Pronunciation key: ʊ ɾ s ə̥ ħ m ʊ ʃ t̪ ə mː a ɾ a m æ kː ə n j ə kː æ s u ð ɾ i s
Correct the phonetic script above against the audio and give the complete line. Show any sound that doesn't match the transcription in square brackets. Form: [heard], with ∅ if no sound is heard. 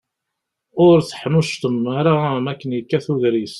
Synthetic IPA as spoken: ʊ ɾ [θ] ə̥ ħ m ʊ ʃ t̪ ə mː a ɾ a m æ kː ə n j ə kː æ [θ] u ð ɾ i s

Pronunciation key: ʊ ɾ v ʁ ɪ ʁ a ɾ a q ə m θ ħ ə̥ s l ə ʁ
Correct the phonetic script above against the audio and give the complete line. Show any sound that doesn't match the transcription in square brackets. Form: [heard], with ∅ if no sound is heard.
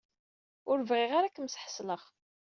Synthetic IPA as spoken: ʊ ɾ v ʁ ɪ ʁ a ɾ a [k] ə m [s] ħ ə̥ s l ə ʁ

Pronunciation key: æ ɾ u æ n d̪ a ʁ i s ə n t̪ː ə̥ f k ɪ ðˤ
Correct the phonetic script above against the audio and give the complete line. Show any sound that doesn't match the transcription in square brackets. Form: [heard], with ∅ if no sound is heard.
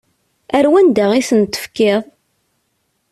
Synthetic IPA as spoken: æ ɾ [w] æ n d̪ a ʁ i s ə n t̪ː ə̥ f k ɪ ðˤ

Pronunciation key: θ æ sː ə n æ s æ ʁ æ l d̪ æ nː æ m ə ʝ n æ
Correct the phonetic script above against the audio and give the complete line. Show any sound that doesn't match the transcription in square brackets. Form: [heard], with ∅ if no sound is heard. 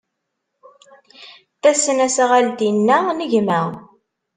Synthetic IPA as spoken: θ æ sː ə n æ s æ ʁ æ l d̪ [i] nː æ [n] ə ʝ [m] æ

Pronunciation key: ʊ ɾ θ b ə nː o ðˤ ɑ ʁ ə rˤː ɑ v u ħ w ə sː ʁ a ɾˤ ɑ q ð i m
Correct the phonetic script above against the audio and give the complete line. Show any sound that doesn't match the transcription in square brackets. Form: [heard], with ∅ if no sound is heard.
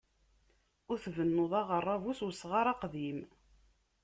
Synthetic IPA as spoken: ʊ ɾ θ [v] ə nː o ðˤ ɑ ʁ ə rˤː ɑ v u [s] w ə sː ʁ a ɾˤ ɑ q ð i m

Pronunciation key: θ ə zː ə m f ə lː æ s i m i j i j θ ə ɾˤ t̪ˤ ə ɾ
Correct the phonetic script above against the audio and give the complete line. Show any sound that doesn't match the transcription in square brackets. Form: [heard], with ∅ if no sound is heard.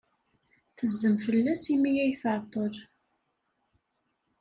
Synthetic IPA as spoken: θ ə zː ə m f ə lː æ s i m i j [æ] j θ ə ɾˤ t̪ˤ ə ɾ

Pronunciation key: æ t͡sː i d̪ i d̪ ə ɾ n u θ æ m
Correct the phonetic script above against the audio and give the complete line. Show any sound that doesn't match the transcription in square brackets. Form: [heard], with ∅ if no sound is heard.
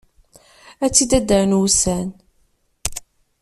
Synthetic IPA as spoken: æ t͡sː i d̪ [æ] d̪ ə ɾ n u [s] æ [n]

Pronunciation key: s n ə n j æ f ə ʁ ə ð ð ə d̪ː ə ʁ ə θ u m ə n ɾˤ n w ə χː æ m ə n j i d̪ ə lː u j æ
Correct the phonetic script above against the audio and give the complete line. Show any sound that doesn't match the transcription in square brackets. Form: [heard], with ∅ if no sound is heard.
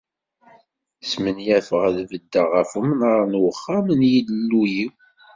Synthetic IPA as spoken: s [m] ə n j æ f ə ʁ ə ð [v] ə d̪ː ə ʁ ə [f] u m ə n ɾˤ n w ə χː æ m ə n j i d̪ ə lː u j [i]

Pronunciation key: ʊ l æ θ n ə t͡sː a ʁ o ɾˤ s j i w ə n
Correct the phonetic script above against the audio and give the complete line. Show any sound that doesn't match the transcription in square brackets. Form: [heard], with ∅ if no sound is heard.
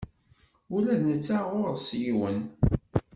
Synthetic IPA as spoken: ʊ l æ [ð] n ə t͡sː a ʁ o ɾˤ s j i w ə n

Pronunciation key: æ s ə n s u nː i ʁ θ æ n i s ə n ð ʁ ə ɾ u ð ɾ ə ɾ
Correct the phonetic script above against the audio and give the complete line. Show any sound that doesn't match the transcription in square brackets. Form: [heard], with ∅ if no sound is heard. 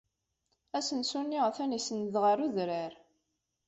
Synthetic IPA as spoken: æ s ə n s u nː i ʁ θ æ n i s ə n ð ʁ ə ɾ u ð ɾ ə ɾ

